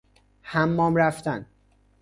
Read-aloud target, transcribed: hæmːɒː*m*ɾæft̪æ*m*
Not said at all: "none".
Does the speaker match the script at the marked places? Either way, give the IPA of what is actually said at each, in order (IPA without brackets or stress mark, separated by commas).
m, n